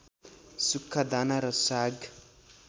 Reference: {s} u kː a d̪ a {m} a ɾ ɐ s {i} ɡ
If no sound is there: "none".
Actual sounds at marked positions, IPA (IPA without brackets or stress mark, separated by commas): s, n, a